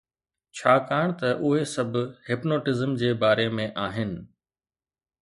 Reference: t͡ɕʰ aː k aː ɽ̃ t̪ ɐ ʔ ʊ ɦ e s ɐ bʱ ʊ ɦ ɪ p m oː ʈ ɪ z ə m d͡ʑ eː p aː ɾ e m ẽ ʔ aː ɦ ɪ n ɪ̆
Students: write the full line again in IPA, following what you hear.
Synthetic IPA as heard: t͡ɕʰ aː k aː ɽ̃ t̪ ɐ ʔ ʊ ɦ e s ɐ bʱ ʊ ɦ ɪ p n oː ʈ ɪ z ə m d͡ʑ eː b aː ɾ e m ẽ ʔ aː ɦ ɪ n ɪ̆